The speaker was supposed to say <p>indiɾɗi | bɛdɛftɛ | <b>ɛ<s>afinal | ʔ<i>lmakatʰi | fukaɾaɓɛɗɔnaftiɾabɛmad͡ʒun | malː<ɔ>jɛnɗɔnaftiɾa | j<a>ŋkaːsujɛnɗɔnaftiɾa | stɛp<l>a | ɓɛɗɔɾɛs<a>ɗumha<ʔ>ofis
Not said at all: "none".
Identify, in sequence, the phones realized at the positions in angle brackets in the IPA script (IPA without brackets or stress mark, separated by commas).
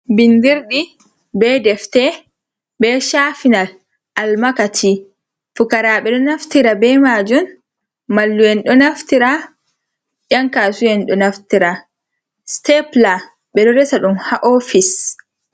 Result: b, b, ʃ, a, u, a, l, a, ʔ